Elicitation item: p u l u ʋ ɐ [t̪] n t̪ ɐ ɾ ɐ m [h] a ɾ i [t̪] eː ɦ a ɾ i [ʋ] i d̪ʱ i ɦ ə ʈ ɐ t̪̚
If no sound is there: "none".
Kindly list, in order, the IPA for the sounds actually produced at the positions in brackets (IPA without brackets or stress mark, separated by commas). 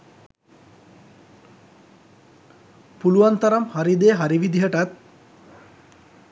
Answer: none, h, d̪, ʋ